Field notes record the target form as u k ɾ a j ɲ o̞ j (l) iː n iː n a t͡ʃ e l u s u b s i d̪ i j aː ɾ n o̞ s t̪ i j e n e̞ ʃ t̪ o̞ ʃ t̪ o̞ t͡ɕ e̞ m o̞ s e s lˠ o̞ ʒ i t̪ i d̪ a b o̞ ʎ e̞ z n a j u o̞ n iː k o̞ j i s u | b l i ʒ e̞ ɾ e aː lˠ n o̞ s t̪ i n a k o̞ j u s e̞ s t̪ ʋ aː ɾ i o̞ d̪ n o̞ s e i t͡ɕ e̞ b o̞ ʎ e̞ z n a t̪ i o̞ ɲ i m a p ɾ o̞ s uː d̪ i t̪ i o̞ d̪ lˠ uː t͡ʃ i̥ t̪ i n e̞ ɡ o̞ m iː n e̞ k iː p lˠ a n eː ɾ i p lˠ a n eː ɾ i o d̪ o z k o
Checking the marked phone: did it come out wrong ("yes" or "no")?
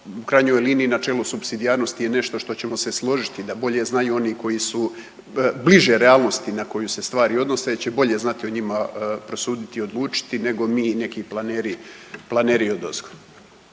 no